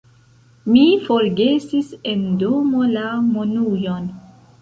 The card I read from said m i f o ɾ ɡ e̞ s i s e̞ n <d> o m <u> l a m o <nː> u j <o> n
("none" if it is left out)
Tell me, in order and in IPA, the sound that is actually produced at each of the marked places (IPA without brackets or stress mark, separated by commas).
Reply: d, o, n, o